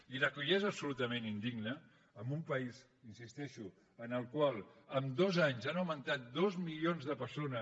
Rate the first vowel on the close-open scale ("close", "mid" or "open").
close